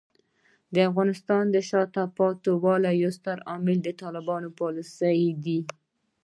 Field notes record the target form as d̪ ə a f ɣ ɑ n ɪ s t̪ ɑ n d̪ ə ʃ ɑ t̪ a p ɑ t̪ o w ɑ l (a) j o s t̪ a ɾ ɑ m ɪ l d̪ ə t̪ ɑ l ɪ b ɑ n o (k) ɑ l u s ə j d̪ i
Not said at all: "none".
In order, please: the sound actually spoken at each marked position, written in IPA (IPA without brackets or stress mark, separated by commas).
a, p